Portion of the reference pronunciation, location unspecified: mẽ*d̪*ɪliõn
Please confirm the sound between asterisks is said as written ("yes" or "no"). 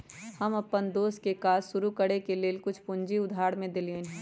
yes